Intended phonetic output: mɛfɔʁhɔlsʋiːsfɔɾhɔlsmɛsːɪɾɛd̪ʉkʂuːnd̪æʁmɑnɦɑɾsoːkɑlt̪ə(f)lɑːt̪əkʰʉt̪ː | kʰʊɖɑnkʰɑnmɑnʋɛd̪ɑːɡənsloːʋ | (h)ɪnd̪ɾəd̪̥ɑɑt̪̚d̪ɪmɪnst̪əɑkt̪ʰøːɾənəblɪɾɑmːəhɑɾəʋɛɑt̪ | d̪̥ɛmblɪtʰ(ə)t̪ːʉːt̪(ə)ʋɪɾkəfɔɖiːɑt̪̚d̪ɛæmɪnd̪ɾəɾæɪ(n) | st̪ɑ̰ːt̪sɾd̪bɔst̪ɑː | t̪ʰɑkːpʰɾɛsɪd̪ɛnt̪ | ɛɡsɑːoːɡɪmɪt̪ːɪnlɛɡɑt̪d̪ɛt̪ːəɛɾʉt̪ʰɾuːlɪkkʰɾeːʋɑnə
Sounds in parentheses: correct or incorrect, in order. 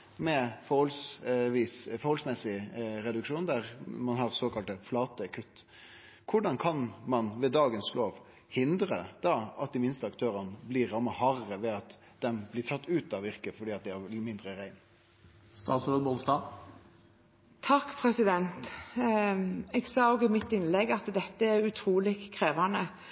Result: correct, correct, incorrect, incorrect, correct

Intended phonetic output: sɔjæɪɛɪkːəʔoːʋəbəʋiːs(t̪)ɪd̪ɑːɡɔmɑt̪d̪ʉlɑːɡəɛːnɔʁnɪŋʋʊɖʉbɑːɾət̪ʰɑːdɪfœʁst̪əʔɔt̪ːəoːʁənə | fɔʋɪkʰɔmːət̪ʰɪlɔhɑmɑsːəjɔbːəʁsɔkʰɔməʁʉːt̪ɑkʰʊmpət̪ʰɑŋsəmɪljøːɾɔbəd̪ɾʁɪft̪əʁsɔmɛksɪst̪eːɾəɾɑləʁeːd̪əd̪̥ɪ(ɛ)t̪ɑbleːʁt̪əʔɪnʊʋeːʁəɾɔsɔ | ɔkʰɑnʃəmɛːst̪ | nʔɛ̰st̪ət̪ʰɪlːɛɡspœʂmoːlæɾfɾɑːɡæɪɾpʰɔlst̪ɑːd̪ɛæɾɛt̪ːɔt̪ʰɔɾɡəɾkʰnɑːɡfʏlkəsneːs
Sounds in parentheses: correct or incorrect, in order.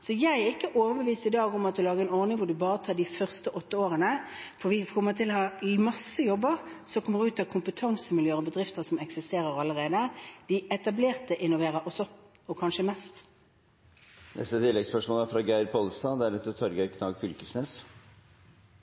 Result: correct, correct

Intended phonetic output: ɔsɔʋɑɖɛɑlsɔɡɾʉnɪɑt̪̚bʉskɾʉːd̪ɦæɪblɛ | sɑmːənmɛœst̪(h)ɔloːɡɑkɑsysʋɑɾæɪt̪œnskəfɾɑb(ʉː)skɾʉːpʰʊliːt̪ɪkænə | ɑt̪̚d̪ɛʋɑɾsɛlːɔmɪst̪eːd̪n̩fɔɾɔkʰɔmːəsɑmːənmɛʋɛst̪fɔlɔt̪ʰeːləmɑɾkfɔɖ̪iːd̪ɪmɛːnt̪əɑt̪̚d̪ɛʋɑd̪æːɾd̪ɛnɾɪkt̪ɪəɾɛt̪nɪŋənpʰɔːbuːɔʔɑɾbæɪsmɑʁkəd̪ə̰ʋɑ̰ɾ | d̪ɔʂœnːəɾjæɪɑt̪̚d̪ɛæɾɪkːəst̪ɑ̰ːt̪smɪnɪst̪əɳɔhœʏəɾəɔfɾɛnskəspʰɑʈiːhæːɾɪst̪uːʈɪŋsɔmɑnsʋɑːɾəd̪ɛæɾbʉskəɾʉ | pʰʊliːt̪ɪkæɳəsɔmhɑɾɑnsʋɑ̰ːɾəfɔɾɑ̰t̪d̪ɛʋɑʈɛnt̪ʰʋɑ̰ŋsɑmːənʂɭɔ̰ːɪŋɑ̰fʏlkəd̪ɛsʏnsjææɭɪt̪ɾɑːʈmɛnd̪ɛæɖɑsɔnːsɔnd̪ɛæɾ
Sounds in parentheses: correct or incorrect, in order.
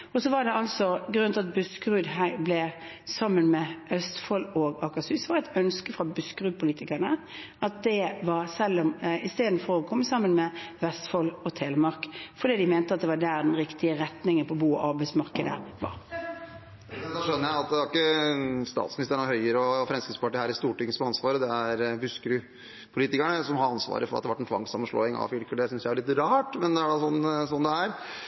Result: incorrect, incorrect

